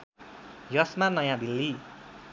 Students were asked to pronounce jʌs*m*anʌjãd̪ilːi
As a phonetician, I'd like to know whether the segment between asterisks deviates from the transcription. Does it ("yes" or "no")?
no